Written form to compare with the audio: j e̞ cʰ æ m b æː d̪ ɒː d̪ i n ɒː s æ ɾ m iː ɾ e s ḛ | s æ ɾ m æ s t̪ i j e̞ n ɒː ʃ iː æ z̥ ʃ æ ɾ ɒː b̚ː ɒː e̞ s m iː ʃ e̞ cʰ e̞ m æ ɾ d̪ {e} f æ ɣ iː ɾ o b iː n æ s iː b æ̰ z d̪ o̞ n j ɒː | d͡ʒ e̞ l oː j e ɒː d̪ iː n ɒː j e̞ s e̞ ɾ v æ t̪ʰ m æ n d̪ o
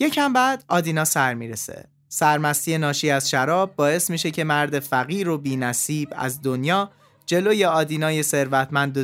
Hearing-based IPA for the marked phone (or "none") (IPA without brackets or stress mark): e